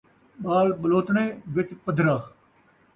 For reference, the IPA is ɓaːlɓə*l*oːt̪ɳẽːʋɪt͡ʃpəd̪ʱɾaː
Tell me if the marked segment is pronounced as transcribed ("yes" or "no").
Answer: yes